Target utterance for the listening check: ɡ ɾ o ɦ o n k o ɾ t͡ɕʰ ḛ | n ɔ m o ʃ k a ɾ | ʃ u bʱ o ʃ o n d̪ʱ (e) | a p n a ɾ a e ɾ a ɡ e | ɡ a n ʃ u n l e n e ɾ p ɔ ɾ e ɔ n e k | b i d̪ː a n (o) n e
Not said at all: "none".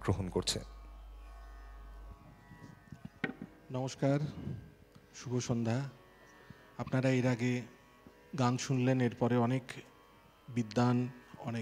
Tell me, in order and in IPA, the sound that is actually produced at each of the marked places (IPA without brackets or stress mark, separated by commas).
a, ɔ